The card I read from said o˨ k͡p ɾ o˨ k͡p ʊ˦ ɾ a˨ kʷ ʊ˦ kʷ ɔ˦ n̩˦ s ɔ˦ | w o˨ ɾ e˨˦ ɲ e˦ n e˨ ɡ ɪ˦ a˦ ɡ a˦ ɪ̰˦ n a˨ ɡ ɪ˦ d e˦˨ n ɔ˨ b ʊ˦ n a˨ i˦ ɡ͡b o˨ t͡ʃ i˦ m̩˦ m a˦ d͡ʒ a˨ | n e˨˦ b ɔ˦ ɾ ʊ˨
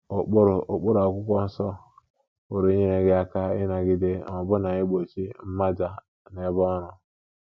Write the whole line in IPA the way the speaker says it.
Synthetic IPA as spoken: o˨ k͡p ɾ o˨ k͡p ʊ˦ ɾ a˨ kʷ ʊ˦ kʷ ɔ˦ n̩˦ s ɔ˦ | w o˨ ɾ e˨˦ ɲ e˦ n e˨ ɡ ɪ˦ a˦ k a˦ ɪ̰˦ n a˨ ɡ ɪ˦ d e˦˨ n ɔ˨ b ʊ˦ n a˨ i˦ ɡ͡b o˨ t͡ʃ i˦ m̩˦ m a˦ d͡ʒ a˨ | n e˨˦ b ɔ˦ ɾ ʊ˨